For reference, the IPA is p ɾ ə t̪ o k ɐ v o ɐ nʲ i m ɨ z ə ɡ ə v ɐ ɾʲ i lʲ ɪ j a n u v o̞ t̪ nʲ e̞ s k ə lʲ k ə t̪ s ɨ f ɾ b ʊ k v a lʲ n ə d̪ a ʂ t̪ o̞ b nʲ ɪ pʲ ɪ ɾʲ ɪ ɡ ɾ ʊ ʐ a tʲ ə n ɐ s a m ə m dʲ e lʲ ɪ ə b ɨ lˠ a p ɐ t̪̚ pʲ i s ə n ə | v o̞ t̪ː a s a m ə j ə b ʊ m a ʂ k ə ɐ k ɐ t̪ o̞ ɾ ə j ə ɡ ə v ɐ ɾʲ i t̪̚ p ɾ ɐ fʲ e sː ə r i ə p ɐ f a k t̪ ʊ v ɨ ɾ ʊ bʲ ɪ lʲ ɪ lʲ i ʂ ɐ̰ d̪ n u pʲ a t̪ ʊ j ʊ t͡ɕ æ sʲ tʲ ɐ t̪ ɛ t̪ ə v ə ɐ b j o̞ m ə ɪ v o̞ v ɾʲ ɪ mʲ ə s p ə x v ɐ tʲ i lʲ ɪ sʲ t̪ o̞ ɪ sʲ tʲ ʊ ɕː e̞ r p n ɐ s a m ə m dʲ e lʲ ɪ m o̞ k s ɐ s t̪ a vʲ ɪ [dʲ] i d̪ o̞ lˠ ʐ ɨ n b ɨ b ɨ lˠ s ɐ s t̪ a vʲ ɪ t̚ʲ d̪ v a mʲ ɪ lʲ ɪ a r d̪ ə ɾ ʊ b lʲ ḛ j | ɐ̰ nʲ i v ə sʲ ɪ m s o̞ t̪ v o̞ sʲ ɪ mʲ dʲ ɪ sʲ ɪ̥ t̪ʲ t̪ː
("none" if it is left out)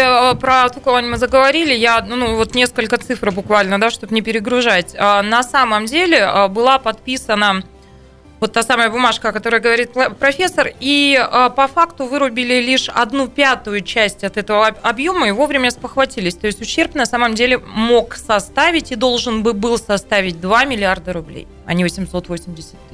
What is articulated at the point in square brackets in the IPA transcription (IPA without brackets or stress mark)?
tʲ